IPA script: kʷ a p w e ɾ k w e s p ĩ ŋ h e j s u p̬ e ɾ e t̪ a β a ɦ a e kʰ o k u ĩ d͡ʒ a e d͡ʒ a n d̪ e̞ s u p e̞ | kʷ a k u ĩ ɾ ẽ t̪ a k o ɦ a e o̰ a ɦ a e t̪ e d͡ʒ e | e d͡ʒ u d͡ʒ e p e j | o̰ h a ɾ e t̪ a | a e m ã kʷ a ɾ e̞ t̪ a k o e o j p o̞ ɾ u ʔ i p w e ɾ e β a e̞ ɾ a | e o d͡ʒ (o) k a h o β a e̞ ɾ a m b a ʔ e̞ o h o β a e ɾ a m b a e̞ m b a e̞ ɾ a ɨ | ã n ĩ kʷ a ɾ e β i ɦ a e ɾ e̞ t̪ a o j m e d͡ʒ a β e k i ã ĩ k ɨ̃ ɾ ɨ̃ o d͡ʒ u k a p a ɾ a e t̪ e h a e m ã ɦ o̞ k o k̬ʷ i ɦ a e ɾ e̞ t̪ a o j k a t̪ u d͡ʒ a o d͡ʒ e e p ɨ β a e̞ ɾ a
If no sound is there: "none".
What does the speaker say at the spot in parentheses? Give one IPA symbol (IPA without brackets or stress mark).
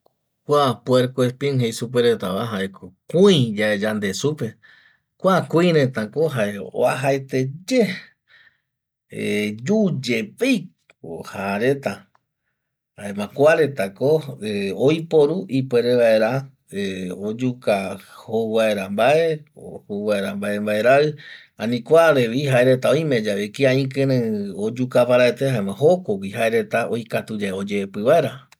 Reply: u